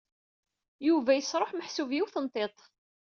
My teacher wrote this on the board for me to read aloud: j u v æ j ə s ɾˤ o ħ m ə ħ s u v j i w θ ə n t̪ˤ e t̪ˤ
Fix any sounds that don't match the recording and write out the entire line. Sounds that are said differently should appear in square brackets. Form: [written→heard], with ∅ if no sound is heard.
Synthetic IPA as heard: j u v æ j ə s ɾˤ o ħ m ə ħ s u v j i w θ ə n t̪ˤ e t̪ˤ